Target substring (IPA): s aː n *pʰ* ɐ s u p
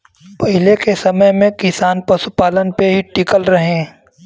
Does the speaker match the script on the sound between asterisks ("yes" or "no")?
no